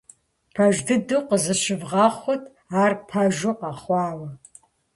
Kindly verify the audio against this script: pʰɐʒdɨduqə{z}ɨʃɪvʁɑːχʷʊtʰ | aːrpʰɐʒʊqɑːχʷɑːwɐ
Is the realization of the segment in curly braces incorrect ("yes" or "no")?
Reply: no